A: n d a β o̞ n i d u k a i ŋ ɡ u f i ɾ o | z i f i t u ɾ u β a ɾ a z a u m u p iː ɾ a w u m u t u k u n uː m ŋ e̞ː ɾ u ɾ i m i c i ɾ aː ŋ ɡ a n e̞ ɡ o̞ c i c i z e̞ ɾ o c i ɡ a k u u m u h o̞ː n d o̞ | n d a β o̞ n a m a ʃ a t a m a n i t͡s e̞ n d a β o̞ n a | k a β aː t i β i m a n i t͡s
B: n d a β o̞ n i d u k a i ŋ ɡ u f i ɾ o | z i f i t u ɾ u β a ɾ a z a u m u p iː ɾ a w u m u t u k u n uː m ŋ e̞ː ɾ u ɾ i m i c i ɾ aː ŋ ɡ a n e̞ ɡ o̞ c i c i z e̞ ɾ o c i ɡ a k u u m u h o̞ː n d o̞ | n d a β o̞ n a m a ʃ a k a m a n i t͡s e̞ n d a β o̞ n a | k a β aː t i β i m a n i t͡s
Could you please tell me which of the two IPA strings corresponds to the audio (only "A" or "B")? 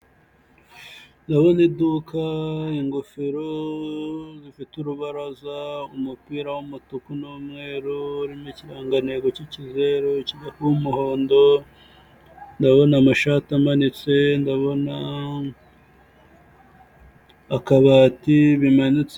A